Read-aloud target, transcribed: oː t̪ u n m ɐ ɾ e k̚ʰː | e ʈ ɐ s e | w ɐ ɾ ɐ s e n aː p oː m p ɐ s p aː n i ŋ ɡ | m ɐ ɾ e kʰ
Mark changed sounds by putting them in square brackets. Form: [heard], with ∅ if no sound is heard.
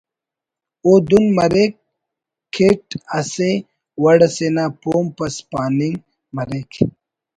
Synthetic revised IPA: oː [d̪] u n m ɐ ɾ e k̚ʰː | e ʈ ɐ s e | w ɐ [ɽ] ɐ s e n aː p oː m p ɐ s p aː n i ŋ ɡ | m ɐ ɾ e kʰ